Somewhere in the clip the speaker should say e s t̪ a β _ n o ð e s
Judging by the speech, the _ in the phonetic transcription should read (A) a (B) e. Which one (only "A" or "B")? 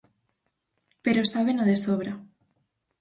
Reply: B